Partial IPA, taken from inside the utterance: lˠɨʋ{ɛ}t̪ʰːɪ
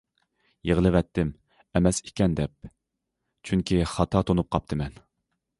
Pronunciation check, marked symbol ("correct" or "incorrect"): correct